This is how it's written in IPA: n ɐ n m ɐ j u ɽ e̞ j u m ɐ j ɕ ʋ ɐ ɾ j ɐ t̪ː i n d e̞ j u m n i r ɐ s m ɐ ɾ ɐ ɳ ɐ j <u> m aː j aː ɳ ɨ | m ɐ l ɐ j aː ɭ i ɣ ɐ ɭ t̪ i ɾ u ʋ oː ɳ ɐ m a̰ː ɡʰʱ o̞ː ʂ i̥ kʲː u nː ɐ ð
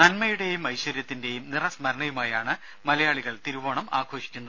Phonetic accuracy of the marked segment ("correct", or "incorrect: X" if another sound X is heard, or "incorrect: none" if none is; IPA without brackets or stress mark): correct